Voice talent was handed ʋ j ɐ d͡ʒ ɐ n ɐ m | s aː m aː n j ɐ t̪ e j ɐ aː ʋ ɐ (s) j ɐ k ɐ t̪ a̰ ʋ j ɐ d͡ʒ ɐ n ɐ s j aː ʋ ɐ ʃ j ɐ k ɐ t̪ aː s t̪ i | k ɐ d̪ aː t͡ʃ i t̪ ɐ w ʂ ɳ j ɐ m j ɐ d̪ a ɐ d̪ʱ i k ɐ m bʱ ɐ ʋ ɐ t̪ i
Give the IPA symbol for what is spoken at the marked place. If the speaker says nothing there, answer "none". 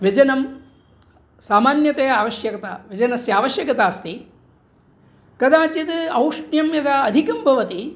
ʃ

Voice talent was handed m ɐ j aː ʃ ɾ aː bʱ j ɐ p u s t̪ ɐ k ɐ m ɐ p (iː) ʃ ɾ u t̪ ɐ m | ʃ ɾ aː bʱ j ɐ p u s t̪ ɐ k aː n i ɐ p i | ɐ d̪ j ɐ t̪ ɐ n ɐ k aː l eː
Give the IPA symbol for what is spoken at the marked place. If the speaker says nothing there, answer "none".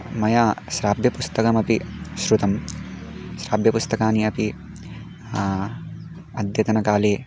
i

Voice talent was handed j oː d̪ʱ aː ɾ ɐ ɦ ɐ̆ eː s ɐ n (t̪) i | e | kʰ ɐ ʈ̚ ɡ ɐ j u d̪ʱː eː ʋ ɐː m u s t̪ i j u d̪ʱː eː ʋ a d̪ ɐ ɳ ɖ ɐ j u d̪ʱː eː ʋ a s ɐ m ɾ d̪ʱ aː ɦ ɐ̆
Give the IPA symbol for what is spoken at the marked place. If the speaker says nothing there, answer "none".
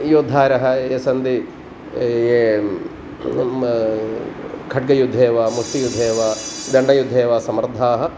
d̪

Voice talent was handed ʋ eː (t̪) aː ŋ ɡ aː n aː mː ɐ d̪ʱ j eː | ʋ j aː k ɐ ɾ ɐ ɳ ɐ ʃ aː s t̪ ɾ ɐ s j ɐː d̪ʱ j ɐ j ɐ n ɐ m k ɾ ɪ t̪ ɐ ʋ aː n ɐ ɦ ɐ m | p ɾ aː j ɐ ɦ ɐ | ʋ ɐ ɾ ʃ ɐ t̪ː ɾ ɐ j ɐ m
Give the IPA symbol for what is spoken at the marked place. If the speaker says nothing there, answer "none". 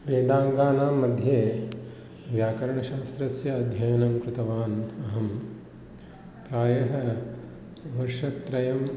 d̪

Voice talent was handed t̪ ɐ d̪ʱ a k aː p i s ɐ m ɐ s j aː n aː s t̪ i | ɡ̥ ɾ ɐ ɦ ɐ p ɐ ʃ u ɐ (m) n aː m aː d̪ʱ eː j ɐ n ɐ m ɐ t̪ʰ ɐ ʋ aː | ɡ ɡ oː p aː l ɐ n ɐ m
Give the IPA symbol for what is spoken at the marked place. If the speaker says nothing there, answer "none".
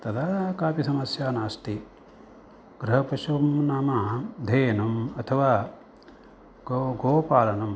m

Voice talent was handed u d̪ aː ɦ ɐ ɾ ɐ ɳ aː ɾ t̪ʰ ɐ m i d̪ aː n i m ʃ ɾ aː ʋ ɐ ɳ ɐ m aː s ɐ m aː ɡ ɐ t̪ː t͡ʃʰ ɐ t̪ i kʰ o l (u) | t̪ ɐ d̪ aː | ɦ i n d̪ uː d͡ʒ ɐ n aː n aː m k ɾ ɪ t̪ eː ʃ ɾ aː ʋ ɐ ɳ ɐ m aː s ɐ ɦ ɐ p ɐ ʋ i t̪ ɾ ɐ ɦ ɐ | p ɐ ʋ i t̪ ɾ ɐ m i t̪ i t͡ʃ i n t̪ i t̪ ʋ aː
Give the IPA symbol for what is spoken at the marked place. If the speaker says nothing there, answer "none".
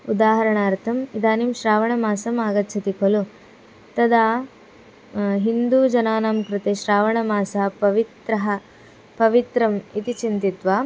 u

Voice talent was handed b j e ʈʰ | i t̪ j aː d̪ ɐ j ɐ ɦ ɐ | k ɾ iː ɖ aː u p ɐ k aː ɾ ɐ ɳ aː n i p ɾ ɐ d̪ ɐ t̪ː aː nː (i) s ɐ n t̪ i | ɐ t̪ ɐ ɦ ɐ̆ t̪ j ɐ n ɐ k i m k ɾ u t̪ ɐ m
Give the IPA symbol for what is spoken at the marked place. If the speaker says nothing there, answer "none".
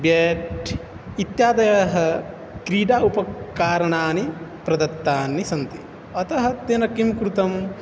i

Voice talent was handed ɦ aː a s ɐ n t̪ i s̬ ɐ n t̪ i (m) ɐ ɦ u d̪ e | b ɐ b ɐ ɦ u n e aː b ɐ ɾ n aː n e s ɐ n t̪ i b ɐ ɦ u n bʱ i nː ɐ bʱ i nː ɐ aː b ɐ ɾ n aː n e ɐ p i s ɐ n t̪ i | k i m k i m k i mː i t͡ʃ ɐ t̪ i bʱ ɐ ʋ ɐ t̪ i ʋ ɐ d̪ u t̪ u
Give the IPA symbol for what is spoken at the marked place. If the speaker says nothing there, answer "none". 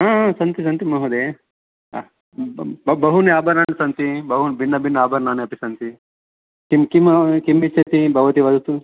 m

